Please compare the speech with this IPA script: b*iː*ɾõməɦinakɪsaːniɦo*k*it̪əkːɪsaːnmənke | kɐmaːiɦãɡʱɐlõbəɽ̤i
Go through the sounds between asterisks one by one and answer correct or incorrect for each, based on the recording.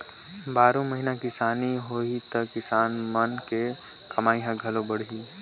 incorrect, incorrect

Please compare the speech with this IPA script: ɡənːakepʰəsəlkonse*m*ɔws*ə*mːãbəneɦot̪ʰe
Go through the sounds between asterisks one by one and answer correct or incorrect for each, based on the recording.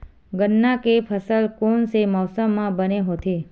correct, correct

